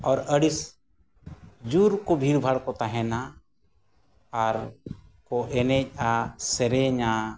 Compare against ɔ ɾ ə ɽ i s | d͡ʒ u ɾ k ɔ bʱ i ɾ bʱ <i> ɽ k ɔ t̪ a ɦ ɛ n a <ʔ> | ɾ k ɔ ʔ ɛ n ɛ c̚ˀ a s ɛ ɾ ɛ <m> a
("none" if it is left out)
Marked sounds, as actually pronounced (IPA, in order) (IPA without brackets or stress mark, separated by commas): a, none, ɲ